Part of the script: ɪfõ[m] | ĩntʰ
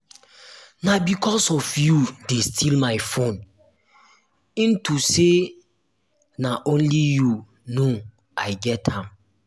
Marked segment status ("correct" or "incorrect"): incorrect